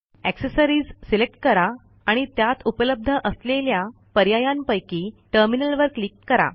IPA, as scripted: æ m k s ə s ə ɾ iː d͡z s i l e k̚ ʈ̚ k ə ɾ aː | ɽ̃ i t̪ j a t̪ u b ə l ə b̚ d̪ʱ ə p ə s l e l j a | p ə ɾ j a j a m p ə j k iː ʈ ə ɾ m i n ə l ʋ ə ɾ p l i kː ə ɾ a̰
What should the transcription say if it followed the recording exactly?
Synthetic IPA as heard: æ k s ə s ə ɾ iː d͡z s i l e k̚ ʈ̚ k ə ɾ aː | ɽ̃ i t̪ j a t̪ u p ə l ə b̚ d̪ʱ ə ʔ ə s l e l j a | p ə ɾ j a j a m p ə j k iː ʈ ə ɾ m i n ə l ʋ ə ɾ k l i kː ə ɾ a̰